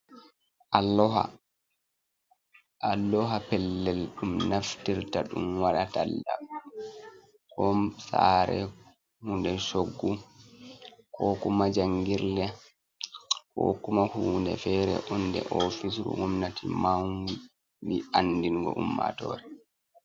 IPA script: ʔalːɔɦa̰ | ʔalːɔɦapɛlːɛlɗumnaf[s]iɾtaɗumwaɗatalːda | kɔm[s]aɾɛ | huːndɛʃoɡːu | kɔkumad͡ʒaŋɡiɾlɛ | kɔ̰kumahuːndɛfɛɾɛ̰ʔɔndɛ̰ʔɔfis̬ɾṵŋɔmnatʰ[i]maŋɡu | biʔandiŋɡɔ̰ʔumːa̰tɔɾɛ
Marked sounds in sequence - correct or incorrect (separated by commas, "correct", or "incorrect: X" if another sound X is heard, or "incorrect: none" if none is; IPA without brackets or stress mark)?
incorrect: t, correct, correct